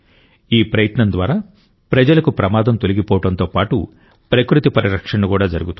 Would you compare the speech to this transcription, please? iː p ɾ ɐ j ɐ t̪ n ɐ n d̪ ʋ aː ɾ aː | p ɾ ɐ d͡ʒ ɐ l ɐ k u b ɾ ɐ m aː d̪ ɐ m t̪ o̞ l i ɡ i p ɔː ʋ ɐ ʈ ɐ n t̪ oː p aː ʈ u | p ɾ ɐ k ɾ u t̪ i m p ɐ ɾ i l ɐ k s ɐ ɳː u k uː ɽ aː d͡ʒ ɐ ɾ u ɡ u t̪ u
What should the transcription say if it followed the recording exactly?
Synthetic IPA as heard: iː p ɾ ɐ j ɐ t̪ n ɐ n d̪ ʋ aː ɾ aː | p ɾ ɐ d͡ʒ ɐ l ɐ k u p ɾ ɐ m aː d̪ ɐ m t̪ o̞ l i ɡ i p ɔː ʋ ɐ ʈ ɐ n t̪ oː p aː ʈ u | p ɾ ɐ k ɾ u t̪ i p ɐ ɾ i ɾ ɐ k ʂ ɐ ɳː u k uː ɽ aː d͡ʒ ɐ ɾ u ɡ u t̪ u